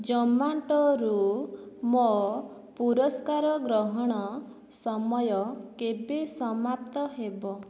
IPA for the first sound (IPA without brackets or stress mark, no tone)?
d͡ʒ